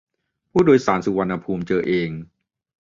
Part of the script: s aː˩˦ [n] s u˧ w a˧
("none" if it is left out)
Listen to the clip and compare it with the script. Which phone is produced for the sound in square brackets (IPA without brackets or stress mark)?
n